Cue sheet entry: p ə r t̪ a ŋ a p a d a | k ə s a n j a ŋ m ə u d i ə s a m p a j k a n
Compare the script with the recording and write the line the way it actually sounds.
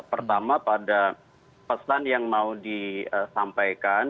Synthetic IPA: p ə r t̪ a m a p a d a | p ə s a n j a ŋ m a u d i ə s a m p a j k a n